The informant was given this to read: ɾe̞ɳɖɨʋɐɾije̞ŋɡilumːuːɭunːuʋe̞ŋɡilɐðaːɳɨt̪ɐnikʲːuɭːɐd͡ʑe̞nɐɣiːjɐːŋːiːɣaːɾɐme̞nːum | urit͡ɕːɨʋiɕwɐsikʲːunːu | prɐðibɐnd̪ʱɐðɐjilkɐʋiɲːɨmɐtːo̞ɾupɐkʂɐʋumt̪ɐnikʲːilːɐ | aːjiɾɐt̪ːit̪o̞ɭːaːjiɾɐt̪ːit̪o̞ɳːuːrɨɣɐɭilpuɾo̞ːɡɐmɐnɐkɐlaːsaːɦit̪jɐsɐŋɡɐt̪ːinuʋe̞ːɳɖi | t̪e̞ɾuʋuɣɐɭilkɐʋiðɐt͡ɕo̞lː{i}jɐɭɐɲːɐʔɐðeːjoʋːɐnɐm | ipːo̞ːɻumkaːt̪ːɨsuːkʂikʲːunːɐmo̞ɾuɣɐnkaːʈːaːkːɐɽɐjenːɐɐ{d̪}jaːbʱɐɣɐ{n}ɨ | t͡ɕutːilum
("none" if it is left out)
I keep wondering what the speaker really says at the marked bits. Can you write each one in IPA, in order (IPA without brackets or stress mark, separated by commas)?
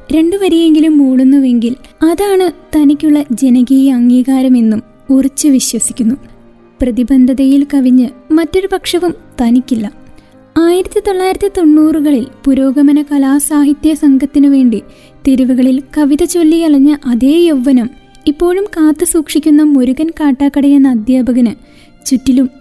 i, d̪, n